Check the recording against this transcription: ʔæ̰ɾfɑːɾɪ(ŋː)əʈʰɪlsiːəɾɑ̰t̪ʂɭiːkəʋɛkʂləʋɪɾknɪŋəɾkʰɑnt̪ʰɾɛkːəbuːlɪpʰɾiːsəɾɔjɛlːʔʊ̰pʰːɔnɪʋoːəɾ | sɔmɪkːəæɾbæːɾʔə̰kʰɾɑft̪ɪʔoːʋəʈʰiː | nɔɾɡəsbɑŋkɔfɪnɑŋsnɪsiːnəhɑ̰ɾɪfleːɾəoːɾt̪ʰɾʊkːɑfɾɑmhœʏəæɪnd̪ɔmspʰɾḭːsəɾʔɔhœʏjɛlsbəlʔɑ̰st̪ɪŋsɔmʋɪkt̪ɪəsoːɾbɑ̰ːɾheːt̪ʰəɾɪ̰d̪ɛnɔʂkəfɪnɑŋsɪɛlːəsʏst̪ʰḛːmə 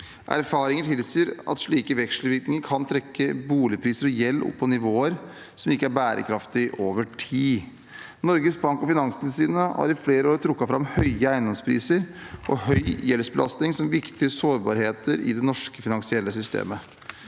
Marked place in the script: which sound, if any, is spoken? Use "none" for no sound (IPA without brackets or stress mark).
ŋ